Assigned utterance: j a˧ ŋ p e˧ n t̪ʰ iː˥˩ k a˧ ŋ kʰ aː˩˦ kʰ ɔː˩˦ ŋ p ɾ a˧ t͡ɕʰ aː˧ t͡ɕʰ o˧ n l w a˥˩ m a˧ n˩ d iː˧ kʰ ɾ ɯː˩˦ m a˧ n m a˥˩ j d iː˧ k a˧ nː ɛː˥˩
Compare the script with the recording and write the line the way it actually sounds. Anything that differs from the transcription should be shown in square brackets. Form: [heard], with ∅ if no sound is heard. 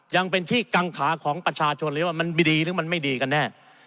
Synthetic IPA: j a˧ ŋ p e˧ n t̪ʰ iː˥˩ k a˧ ŋ kʰ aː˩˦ kʰ ɔː˩˦ ŋ p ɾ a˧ t͡ɕʰ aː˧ t͡ɕʰ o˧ n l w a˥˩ m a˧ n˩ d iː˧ [∅] ɾ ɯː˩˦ m a˧ n m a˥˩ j d iː˧ k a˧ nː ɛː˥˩